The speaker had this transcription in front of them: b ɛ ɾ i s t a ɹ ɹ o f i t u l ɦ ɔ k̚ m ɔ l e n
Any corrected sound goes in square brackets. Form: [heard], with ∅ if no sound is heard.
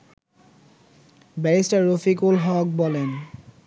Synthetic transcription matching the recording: b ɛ [ɹ] i s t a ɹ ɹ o f i [k] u l ɦ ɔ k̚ [b] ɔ l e n